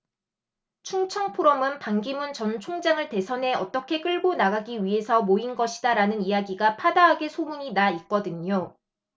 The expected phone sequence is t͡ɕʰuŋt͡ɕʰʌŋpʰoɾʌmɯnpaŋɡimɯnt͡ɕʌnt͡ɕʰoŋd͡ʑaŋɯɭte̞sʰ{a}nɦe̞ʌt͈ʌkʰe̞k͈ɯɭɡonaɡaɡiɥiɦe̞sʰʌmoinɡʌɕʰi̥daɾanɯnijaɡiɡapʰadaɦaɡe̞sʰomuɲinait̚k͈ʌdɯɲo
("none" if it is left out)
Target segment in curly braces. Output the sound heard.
ʌ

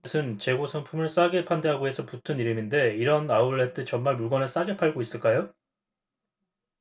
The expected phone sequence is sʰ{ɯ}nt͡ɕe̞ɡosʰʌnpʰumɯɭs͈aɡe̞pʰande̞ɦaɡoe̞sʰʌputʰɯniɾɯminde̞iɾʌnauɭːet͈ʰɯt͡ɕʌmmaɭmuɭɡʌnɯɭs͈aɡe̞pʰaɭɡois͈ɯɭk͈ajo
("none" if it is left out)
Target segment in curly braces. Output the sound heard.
ɯ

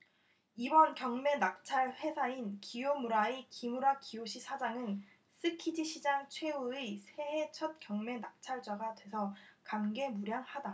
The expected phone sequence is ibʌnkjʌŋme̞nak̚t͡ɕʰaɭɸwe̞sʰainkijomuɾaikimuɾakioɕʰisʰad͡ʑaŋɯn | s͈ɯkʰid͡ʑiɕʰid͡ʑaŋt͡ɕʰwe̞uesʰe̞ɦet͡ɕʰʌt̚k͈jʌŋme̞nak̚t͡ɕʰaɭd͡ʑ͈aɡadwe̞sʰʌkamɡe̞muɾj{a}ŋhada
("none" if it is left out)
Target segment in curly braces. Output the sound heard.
a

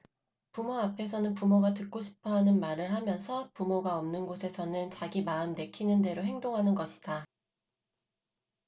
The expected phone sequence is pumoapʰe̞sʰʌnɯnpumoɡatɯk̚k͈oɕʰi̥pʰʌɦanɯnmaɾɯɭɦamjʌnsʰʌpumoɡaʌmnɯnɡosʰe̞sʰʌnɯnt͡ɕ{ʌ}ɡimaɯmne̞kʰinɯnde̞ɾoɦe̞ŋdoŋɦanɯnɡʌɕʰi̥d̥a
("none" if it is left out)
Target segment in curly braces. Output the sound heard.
a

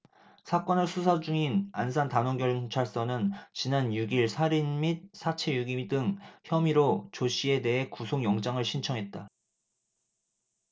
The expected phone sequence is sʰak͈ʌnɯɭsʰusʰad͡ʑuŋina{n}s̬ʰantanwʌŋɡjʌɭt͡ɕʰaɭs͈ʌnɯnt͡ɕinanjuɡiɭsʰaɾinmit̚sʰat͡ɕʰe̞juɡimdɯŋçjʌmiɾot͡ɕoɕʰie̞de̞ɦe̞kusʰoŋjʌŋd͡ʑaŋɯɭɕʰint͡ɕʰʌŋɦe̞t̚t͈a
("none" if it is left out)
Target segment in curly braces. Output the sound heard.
n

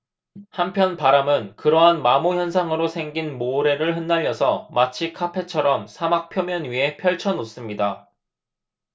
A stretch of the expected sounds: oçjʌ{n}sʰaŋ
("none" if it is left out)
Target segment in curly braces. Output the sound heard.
n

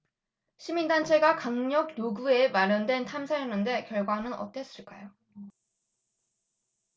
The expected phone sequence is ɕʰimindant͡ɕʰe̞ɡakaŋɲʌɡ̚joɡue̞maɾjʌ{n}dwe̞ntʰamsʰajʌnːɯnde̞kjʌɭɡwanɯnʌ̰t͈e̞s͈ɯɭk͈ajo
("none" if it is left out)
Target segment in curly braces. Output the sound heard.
n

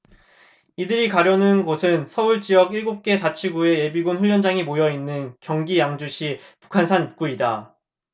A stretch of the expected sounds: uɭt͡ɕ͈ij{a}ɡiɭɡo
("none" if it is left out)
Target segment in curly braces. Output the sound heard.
ʌ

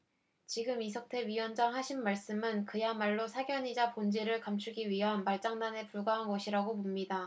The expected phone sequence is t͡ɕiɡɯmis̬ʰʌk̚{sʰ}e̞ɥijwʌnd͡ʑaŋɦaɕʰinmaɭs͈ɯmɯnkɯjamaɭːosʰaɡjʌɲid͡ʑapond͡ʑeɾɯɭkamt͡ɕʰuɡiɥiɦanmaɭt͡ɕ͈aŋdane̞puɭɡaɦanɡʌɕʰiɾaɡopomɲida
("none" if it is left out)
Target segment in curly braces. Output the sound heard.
tʰ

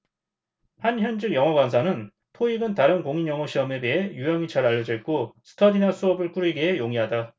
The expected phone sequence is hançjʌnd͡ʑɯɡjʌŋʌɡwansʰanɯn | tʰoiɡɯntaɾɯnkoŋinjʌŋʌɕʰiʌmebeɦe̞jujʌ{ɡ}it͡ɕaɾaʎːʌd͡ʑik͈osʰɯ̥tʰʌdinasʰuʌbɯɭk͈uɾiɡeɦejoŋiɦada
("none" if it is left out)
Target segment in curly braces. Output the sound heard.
ŋ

